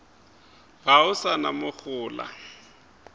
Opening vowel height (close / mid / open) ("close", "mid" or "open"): open